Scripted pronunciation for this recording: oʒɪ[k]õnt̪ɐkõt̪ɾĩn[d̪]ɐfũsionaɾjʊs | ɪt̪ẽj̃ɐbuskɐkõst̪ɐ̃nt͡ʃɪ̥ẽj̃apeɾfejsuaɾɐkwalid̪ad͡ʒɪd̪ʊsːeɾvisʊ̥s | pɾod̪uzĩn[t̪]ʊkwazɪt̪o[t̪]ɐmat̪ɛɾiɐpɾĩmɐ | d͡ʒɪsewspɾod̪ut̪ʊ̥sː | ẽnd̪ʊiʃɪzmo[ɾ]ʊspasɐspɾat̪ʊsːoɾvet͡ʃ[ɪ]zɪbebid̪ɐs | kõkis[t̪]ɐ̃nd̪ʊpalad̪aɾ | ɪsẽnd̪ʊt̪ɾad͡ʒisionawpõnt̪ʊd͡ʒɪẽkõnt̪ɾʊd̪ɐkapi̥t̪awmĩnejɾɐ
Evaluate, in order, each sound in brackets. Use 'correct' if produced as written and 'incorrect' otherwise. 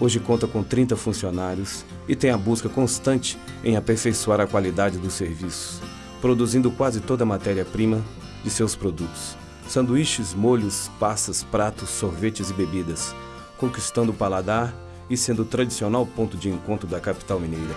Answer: correct, incorrect: t̪, incorrect: d̪, incorrect: d̪, incorrect: ʎ, correct, correct

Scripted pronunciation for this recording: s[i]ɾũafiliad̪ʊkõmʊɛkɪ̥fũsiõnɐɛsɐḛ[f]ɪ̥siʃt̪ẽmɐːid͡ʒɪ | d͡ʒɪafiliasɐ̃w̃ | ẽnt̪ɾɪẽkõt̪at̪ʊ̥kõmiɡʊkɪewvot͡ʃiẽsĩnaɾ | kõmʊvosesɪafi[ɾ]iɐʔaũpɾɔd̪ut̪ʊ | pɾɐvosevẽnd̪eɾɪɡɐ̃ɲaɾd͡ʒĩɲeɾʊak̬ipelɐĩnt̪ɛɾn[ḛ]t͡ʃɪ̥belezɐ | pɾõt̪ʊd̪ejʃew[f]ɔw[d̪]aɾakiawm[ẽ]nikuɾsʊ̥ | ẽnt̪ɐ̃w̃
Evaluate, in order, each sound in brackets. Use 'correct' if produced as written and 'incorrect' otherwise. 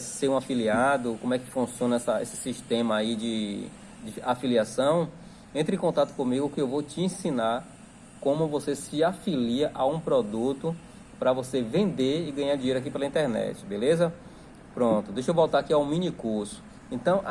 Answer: incorrect: e, incorrect: s, incorrect: l, incorrect: ɛ̰, incorrect: v, incorrect: t̪, incorrect: ĩ

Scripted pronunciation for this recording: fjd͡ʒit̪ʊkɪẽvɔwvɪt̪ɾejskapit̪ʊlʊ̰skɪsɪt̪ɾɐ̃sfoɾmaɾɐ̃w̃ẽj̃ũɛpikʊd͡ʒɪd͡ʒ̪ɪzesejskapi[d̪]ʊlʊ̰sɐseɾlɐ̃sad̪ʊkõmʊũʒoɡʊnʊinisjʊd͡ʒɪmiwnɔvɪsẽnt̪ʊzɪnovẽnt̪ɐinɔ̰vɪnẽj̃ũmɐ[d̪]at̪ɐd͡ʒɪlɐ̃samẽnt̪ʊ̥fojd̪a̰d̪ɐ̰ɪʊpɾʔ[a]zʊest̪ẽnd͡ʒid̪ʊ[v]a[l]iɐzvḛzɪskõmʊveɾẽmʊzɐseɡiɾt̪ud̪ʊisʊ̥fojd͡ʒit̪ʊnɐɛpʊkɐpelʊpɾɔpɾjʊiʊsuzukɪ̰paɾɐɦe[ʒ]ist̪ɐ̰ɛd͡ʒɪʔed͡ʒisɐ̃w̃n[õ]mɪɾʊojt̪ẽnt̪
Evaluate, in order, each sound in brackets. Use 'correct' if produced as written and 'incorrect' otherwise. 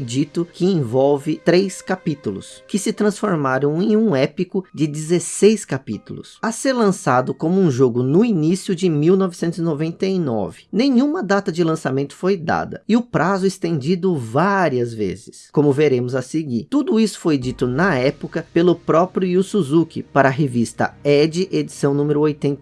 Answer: incorrect: t̪, correct, correct, correct, incorrect: ɾ, incorrect: v, incorrect: ũ

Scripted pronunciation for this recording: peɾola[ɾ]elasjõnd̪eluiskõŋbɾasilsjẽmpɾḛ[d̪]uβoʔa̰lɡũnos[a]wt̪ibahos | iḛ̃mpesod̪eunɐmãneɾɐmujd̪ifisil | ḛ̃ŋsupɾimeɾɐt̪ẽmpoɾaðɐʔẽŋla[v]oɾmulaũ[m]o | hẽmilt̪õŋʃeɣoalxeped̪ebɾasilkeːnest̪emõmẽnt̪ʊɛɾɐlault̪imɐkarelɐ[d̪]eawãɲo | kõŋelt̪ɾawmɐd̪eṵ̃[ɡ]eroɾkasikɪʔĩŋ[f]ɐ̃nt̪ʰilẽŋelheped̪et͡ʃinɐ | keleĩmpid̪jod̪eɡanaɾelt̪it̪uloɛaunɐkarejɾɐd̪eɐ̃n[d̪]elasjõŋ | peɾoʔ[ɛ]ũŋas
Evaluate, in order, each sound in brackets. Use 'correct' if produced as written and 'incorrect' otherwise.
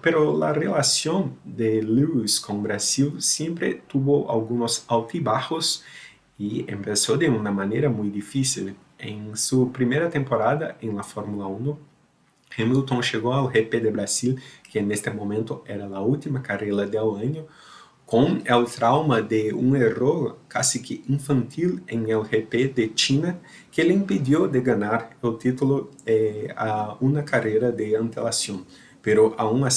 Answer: incorrect: r, incorrect: t̪, correct, incorrect: f, incorrect: n, correct, incorrect: ŋ, correct, incorrect: t̪, incorrect: a

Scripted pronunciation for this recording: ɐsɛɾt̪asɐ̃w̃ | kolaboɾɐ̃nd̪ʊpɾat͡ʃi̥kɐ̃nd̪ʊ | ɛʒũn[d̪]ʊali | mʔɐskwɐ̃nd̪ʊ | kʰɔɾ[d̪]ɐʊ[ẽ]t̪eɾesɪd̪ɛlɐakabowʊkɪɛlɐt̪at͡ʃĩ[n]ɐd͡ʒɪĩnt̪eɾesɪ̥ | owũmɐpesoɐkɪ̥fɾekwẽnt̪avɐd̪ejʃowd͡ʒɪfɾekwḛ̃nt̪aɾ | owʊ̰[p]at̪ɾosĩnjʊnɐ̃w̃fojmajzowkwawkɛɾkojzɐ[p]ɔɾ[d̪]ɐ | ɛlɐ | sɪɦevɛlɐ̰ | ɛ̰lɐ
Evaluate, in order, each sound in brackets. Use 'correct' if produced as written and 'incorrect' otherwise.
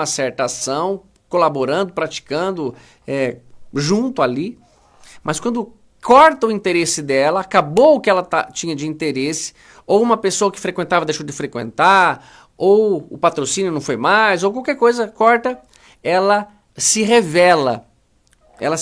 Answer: incorrect: t̪, incorrect: t̪, incorrect: ĩ, incorrect: ɲ, correct, incorrect: k, incorrect: t̪

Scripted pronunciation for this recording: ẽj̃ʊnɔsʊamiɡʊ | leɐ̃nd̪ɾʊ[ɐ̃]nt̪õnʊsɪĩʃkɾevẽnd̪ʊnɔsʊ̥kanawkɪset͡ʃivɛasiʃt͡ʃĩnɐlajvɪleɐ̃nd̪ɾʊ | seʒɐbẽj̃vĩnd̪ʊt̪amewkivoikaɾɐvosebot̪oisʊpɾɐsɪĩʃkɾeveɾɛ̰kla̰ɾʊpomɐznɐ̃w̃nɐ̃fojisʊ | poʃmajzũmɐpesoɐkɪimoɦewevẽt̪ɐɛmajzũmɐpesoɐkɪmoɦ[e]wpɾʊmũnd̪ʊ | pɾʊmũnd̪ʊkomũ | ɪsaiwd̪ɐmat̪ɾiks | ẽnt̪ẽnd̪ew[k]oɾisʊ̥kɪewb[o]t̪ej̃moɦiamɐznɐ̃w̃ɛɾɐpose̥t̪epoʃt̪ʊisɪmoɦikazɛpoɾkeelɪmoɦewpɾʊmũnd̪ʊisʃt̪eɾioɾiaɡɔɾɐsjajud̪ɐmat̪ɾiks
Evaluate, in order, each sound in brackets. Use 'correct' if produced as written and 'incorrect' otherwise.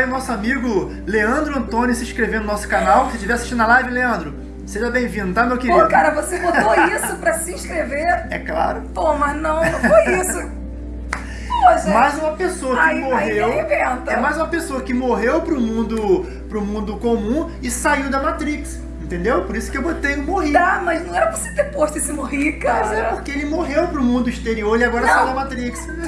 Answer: correct, correct, incorrect: p, correct

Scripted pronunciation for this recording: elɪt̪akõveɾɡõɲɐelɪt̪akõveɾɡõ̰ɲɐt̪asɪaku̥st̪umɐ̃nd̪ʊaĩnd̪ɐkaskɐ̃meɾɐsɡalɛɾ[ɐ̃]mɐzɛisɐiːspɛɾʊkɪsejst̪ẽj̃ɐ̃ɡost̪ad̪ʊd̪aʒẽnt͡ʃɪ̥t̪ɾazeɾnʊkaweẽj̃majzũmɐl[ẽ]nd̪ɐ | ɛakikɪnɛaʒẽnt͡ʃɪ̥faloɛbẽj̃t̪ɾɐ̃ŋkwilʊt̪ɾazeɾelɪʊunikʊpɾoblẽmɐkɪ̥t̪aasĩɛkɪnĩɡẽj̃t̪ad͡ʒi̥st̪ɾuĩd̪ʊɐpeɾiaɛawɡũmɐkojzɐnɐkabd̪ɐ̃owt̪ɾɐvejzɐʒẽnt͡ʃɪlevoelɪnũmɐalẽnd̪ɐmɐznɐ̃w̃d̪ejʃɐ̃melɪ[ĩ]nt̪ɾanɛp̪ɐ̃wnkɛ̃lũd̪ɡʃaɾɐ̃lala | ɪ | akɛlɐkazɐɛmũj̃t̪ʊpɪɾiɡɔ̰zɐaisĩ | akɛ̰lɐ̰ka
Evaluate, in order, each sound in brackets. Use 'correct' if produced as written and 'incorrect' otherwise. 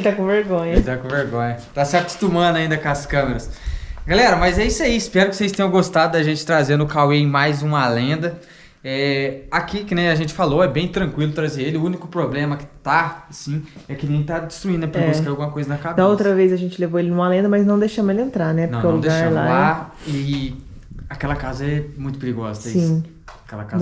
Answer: incorrect: ɐ, correct, incorrect: ẽ

